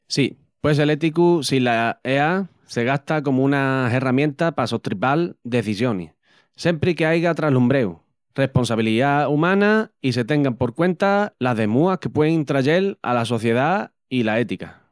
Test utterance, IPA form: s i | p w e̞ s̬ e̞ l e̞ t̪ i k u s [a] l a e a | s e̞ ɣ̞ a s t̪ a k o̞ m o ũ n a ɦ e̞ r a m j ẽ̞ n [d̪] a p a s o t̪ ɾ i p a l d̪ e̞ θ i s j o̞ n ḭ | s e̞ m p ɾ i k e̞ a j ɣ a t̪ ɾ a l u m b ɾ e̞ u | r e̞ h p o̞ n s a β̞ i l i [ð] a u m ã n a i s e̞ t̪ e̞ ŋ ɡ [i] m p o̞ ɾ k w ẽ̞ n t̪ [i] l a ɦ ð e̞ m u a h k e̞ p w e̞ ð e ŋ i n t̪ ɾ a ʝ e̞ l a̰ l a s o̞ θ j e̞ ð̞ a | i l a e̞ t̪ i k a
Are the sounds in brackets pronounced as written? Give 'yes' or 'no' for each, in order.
no, no, yes, no, no

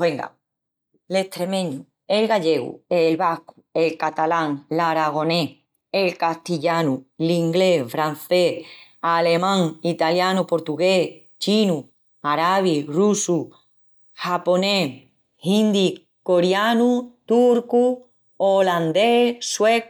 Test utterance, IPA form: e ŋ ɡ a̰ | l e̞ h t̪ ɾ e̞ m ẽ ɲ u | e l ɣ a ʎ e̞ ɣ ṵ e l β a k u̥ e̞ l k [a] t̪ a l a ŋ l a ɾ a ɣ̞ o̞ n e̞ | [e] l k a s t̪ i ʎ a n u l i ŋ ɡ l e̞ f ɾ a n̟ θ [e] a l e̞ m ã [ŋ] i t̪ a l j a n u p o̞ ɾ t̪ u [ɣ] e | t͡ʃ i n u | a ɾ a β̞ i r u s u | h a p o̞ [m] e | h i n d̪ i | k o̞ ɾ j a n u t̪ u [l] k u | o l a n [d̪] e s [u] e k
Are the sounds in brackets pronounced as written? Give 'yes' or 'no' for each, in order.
yes, yes, yes, yes, yes, no, no, yes, no

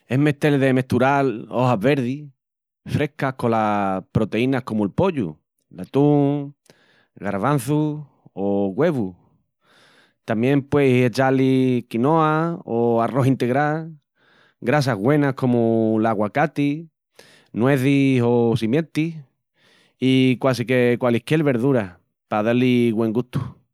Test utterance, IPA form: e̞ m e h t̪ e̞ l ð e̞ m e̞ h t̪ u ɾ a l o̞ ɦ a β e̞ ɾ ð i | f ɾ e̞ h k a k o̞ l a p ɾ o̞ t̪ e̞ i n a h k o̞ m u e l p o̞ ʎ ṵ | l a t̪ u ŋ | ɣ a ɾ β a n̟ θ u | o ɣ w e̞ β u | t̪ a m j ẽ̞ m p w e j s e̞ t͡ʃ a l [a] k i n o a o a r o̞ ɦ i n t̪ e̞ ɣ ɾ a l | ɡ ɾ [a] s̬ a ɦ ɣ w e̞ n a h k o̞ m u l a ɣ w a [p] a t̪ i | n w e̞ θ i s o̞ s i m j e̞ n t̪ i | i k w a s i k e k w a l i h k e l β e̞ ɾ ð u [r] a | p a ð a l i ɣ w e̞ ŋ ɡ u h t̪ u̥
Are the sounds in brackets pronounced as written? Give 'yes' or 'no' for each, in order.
no, yes, no, no

